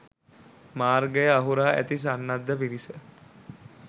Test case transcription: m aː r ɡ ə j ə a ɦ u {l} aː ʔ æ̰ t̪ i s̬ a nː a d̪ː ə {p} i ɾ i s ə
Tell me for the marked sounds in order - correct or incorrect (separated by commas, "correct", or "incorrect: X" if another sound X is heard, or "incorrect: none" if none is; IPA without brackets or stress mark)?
incorrect: ɾ, correct